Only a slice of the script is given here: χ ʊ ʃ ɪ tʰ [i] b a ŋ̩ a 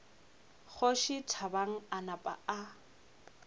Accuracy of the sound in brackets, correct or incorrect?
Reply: incorrect